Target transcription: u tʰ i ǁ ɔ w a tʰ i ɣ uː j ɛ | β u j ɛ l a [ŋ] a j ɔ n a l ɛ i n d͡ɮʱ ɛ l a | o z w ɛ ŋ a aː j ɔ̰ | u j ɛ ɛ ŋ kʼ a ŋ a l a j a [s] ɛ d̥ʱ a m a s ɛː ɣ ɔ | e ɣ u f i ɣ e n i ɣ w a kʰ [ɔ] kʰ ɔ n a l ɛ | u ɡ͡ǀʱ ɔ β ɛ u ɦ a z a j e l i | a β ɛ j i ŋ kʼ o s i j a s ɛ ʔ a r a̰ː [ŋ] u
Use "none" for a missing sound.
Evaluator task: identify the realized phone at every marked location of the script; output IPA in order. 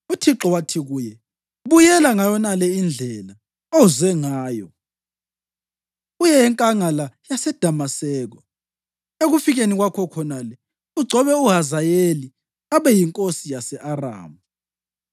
ŋ, s, ɔ, m

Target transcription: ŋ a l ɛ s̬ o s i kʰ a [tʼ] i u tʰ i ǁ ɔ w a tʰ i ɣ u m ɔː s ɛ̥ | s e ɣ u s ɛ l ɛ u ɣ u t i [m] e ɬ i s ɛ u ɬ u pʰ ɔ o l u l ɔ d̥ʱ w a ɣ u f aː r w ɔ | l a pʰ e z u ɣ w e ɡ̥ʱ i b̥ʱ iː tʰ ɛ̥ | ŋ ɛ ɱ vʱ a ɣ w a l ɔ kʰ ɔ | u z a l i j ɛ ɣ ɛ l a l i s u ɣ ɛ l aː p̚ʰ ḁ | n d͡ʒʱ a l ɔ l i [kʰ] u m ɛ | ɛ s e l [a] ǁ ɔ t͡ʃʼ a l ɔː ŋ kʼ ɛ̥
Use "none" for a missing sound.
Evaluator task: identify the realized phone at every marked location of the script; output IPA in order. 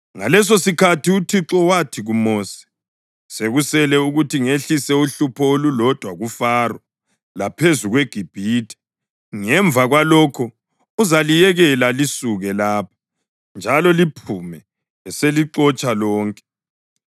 t, ŋ, pʰ, i

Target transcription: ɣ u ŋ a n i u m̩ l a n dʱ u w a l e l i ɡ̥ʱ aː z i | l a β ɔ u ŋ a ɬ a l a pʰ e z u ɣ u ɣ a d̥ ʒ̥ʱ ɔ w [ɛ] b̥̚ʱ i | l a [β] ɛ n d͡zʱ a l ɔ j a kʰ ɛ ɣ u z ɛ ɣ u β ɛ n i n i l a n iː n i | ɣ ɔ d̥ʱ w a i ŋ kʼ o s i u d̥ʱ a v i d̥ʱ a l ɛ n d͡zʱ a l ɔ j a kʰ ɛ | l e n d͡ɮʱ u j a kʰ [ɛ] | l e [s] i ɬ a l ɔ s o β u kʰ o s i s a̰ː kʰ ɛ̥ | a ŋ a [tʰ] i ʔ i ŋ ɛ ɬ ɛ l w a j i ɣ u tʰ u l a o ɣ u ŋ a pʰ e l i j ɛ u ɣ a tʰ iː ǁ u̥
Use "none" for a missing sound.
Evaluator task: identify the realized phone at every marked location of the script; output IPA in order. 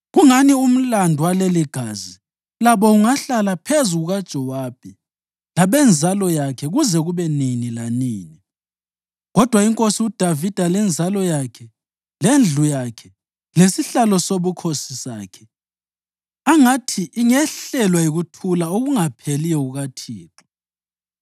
a, β, ɛ, s, tʰ

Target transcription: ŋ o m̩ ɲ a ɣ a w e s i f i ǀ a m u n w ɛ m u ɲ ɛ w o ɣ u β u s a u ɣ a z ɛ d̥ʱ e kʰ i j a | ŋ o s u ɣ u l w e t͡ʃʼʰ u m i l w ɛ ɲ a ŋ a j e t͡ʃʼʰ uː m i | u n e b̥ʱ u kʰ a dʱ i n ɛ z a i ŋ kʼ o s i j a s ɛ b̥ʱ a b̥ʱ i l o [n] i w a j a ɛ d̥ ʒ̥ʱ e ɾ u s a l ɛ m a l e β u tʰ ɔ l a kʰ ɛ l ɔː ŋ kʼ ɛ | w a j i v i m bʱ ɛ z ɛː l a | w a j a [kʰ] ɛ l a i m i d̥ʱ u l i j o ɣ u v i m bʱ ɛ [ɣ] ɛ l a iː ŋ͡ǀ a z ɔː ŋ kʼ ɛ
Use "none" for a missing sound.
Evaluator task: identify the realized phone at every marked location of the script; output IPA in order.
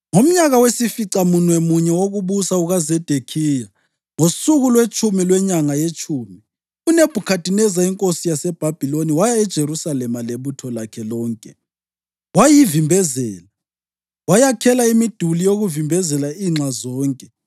n, kʰ, z

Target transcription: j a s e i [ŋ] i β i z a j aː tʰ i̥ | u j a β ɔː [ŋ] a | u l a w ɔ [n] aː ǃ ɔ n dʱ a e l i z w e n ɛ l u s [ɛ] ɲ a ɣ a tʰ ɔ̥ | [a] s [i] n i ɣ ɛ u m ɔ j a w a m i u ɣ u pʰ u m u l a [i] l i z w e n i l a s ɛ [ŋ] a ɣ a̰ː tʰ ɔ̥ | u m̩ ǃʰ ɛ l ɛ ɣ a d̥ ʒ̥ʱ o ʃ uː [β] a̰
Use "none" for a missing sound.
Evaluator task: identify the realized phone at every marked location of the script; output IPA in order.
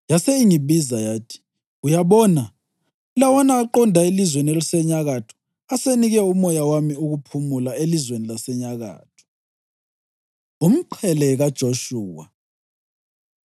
ŋ, n, n, ɛ, a, e, e, ɲ, w

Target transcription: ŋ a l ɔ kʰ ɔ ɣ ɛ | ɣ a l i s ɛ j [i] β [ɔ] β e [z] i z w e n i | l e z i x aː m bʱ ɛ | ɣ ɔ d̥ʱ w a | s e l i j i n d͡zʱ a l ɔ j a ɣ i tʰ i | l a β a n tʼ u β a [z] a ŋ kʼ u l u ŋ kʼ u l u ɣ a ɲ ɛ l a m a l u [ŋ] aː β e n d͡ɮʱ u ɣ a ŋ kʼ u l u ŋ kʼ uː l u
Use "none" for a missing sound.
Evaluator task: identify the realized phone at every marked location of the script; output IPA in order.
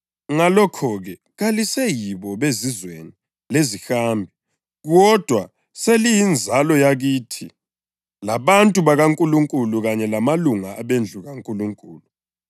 i, ɔ, z, ɣ, ŋ

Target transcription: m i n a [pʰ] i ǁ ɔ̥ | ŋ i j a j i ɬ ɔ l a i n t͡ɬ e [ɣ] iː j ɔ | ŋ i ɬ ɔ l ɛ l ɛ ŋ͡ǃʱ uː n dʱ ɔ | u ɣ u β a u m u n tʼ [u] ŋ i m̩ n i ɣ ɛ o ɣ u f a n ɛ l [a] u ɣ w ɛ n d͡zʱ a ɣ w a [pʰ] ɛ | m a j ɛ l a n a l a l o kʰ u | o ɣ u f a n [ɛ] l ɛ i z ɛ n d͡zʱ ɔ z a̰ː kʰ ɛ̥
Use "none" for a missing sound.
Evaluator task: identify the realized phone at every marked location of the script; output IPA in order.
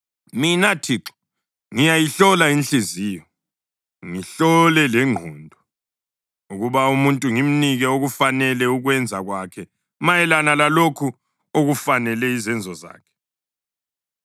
tʰ, z, u, ɛ, kʰ, ɛ

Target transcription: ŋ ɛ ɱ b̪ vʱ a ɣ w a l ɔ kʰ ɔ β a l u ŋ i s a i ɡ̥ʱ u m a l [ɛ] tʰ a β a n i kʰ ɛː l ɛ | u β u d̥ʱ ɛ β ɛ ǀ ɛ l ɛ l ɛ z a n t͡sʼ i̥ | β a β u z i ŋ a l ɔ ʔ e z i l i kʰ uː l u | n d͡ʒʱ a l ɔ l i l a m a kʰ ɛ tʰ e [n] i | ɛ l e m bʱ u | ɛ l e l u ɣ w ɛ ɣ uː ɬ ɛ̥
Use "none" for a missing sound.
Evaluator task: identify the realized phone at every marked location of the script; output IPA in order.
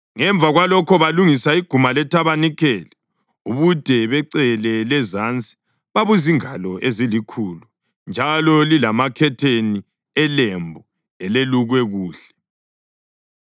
ɛ, n

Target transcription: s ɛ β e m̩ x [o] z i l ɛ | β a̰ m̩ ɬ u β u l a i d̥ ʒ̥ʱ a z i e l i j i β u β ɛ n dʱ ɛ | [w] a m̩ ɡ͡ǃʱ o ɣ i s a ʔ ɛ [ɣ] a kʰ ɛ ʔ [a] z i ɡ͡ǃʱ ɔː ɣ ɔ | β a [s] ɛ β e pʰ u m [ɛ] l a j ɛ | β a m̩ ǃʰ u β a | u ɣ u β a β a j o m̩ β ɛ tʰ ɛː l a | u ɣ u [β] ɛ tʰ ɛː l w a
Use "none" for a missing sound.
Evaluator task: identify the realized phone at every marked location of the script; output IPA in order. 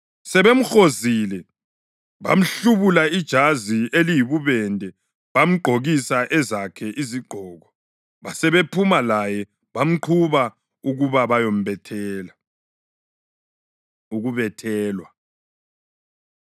o, β, z, i, s, a, β

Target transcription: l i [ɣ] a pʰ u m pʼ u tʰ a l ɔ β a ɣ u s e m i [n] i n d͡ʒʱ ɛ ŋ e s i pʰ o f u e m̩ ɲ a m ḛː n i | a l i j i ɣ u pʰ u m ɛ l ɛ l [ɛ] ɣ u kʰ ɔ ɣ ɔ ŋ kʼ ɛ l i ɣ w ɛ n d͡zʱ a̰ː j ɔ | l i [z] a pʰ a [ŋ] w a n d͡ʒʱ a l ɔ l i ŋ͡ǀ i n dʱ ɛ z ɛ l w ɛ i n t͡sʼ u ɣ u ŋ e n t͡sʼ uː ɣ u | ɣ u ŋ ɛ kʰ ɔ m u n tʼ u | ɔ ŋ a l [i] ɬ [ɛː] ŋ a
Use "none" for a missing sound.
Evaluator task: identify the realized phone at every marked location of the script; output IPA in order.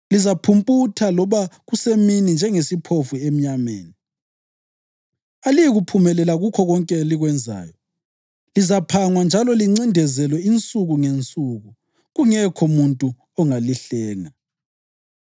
z, n, a, z, ŋ, i, ɛː

